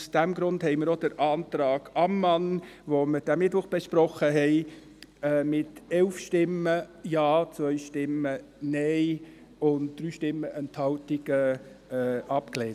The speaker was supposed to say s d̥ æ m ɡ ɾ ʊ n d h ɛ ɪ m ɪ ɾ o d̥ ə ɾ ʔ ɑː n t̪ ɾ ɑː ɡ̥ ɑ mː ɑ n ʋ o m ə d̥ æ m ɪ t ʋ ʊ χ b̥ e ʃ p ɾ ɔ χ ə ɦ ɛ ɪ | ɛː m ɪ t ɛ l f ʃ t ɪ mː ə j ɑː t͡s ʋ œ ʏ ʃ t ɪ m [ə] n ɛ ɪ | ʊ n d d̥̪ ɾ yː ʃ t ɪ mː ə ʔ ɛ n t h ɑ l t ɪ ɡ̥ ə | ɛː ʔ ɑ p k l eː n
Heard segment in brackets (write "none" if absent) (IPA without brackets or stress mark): ə